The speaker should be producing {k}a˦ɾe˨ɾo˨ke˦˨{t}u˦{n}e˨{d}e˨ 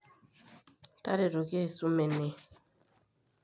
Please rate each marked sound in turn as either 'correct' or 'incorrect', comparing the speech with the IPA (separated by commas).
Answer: incorrect, incorrect, incorrect, incorrect